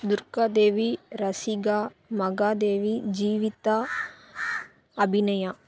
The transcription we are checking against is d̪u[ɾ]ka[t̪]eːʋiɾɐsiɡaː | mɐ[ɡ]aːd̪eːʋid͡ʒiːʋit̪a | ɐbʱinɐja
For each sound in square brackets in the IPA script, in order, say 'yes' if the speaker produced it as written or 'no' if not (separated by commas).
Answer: yes, no, yes